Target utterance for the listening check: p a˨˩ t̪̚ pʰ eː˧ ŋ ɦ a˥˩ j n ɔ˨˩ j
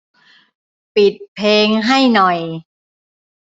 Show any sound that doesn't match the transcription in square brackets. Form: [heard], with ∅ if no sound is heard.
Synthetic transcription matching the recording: p [i˨˩] t̪̚ pʰ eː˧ ŋ ɦ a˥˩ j n ɔ˨˩ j